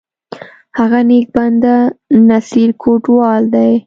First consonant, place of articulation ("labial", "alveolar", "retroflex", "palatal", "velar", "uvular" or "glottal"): glottal